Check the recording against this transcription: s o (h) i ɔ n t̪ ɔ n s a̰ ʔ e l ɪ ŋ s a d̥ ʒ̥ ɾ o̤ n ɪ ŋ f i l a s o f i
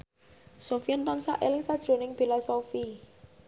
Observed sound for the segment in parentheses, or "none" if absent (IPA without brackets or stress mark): f